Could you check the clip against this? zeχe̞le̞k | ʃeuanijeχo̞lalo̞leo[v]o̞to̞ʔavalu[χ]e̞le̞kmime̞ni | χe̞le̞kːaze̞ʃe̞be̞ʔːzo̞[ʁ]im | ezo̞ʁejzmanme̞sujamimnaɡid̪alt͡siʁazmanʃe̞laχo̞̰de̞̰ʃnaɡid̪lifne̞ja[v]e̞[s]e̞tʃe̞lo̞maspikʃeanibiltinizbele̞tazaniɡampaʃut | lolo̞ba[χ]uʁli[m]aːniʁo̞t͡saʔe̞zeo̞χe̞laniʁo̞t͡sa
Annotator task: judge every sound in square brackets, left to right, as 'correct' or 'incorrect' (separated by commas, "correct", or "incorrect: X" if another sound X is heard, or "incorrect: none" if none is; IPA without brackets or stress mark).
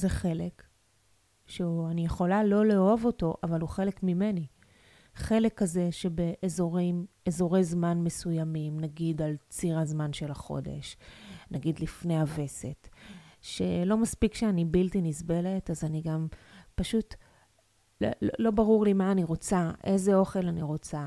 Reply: correct, correct, correct, correct, correct, incorrect: ʁ, correct